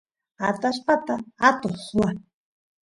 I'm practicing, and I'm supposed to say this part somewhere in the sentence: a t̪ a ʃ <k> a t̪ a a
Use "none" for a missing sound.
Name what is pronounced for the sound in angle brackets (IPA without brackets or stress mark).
p